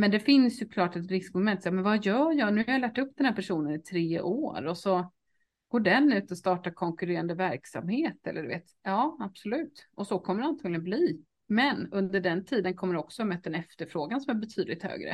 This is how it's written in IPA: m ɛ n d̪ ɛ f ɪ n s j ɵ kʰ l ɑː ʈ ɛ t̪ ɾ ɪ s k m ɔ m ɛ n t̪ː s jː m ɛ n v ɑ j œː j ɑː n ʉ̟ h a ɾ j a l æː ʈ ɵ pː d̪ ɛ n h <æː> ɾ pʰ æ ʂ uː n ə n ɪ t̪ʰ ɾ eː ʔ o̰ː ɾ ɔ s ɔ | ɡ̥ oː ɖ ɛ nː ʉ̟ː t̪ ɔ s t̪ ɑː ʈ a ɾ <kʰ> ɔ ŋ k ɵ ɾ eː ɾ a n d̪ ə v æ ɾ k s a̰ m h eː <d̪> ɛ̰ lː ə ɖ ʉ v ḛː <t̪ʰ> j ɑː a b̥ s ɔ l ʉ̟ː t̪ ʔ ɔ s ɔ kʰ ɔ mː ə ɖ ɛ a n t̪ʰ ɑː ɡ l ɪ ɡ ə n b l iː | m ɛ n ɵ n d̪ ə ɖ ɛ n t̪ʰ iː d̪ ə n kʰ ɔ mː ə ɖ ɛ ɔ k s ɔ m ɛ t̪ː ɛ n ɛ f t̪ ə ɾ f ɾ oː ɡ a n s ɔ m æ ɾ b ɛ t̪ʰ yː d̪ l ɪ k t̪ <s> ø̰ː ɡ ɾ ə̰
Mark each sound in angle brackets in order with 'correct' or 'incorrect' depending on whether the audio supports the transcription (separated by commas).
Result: incorrect, correct, incorrect, incorrect, incorrect